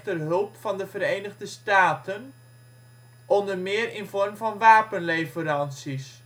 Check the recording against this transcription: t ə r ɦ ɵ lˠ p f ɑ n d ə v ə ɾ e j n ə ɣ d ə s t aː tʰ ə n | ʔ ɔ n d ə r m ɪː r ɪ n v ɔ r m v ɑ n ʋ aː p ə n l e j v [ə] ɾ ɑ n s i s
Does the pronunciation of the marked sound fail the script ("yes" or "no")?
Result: no